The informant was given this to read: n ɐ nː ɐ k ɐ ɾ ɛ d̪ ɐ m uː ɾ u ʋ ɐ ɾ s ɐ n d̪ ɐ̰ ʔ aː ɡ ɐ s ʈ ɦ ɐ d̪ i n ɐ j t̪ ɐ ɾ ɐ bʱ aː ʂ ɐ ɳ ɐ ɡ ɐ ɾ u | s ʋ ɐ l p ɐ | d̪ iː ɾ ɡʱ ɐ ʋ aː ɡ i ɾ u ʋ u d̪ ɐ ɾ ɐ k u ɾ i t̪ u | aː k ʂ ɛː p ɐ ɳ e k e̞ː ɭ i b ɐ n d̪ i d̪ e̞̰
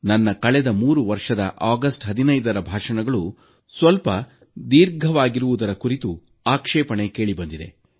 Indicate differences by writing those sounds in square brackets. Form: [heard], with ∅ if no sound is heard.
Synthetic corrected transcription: n ɐ nː ɐ k ɐ [ɭ] ɛ d̪ ɐ m uː ɾ u ʋ ɐ ɾ [ʂ] ɐ [∅] d̪ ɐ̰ ʔ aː ɡ ɐ s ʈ ɦ ɐ d̪ i n ɐ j [d̪] ɐ ɾ ɐ bʱ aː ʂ ɐ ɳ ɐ ɡ ɐ [ɭ] u | s ʋ ɐ l p ɐ | d̪ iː ɾ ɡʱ ɐ ʋ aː ɡ i ɾ u ʋ u d̪ ɐ ɾ ɐ k u ɾ i t̪ u | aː k ʂ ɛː p ɐ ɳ e k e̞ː ɭ i b ɐ n d̪ i d̪ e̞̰